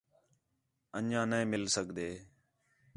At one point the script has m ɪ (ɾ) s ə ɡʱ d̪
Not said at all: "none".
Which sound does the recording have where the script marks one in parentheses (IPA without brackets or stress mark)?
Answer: l